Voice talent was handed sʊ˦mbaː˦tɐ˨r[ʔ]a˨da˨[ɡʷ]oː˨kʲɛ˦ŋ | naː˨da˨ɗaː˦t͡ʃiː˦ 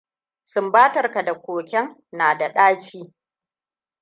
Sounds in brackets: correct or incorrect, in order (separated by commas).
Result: incorrect, incorrect